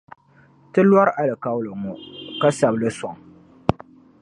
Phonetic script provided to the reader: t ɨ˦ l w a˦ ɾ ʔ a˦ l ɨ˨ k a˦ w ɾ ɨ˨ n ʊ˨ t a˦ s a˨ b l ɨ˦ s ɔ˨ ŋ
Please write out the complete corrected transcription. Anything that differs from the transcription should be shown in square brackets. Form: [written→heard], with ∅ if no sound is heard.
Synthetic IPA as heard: t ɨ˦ l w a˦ ɾ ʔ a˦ l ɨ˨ k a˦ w [ɾ→l] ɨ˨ [n→ŋ] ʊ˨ [t→k] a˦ s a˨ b l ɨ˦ s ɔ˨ ŋ